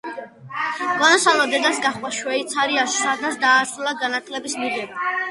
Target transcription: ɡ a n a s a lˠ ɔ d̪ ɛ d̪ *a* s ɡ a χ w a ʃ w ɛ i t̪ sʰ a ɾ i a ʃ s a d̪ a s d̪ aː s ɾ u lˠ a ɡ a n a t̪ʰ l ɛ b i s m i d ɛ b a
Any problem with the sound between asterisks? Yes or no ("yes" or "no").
no